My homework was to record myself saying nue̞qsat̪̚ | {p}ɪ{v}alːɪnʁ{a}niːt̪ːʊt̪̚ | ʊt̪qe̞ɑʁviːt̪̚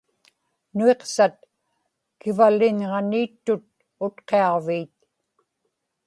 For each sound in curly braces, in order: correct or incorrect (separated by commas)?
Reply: incorrect, correct, incorrect